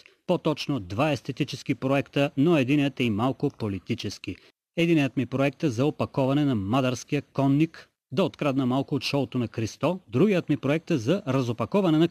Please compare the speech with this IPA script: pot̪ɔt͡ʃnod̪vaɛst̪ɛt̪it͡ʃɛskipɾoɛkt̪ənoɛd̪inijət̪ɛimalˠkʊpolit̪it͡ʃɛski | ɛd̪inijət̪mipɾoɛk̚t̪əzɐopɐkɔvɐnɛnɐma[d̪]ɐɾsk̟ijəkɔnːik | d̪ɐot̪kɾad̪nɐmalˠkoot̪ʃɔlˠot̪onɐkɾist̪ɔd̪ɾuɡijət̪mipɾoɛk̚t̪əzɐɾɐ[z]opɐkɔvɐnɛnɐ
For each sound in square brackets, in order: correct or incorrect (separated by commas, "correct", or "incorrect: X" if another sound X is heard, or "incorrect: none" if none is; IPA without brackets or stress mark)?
correct, correct